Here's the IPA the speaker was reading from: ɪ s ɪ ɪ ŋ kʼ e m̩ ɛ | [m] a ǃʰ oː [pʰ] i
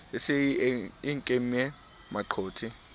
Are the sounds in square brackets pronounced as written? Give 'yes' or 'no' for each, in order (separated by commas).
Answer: yes, no